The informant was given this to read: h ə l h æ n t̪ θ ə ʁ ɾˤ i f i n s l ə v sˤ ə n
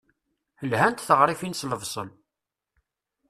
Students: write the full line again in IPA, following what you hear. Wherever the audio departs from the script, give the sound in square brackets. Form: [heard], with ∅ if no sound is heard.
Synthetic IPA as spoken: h ə l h æ n t̪ θ ə ʁ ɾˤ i f i n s l ə v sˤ ə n